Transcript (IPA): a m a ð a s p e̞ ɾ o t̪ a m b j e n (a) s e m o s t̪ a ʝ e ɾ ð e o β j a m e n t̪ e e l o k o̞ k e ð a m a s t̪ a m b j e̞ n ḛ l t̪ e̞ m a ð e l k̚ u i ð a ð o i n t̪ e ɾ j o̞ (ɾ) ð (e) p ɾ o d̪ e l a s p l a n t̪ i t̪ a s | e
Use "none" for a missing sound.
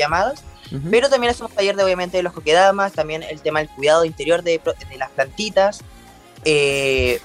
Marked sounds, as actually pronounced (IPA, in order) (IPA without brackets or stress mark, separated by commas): a, ɾ, e